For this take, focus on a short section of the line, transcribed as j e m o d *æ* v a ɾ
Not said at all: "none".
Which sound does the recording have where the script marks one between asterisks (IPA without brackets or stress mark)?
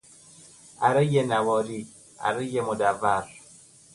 a